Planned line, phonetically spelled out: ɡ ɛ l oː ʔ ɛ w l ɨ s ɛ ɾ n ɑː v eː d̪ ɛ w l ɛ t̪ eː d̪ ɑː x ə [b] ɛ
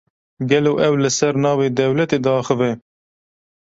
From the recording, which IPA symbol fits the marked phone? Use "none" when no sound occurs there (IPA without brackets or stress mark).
v